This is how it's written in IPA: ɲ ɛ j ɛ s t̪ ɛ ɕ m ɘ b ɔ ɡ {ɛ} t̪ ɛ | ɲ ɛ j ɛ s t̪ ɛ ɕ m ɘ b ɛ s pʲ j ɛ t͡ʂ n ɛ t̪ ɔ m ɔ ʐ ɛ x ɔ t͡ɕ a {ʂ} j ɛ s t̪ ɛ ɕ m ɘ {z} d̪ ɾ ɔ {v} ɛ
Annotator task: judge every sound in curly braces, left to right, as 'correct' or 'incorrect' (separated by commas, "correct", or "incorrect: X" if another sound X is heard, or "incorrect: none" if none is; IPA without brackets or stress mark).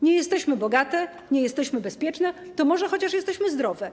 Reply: incorrect: a, correct, correct, correct